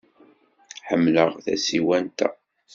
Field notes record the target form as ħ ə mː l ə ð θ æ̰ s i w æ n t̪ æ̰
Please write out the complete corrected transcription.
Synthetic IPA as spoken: ħ ə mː l ə ʁ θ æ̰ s i w æ n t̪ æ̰

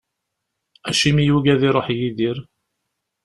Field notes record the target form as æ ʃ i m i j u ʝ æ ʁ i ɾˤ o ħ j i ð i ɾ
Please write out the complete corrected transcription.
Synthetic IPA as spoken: æ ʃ i m i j u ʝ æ ð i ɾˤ o ħ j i ð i ɾ

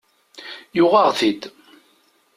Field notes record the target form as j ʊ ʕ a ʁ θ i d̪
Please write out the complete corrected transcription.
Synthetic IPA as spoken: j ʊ ʁ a ʁ θ i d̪

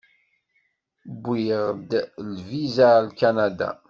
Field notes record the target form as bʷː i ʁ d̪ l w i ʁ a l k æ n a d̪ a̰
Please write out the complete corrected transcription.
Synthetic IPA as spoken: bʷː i ʁ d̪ l v i z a l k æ n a d̪ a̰

